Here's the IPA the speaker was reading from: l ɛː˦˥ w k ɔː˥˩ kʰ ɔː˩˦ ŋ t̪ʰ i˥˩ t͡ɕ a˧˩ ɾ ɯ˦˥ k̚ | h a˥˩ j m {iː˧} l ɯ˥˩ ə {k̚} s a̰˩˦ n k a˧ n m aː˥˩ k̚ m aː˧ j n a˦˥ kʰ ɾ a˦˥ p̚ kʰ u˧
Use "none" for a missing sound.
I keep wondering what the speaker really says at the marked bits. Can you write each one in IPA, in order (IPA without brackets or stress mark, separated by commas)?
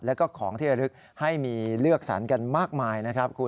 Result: iː˧, k̚